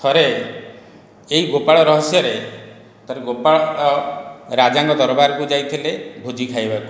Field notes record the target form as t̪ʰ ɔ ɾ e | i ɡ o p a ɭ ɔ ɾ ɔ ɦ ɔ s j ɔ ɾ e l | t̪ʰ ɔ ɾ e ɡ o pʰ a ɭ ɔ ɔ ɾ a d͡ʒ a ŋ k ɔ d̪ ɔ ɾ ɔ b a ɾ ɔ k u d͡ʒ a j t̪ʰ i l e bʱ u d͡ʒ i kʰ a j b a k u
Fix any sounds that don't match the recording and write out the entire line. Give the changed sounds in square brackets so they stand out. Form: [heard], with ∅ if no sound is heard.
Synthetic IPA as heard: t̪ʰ ɔ ɾ e | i ɡ o p a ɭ ɔ ɾ ɔ ɦ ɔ s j ɔ ɾ e [∅] | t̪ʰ ɔ ɾ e ɡ o [p] a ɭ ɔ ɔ ɾ a d͡ʒ a ŋ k ɔ d̪ ɔ ɾ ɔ b a ɾ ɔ k u d͡ʒ a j t̪ʰ i l e bʱ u d͡ʒ i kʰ a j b a k u